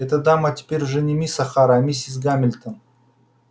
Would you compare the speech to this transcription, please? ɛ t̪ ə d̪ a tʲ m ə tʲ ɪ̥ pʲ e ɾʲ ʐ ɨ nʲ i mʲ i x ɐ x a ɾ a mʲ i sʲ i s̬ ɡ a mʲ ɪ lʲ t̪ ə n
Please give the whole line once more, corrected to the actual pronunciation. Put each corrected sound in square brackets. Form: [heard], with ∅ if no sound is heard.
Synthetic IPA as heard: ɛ t̪ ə d̪ a [∅] m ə tʲ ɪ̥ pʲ e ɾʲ ʐ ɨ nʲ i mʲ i [s] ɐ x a ɾ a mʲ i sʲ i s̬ ɡ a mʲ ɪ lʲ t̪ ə n